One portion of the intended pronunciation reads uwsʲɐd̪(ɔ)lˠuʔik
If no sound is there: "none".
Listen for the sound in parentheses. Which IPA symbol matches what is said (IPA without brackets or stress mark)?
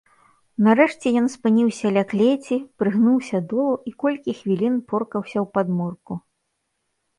ɔ